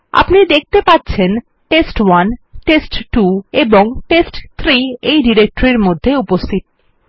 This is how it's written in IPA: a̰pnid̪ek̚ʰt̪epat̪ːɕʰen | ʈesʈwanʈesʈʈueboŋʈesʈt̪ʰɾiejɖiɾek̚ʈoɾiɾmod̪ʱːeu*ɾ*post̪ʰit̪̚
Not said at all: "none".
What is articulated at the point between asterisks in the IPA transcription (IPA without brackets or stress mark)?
none